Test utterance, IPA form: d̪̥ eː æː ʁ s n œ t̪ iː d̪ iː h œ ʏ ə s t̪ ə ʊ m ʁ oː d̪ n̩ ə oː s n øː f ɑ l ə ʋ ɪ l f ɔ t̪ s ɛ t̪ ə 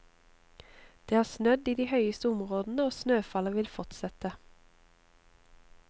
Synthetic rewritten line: d̪̥ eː æː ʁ s n œ d̪ iː d̪ iː h œ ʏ ə s t̪ ə ʊ m ʁ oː d̪ n̩ ə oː s n øː f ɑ l ə ʋ ɪ l f ɔ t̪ s ɛ t̪ ə